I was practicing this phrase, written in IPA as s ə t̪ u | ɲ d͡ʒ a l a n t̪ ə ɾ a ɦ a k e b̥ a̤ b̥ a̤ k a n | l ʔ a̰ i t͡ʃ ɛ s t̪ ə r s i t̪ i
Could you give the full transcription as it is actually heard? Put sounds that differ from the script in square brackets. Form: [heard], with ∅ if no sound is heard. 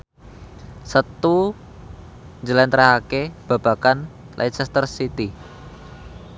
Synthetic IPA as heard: s ə t̪ u | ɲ d͡ʒ [ə] l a n t̪ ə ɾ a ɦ a k e b̥ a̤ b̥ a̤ k a n | l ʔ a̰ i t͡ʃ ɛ s t̪ ə r s i t̪ i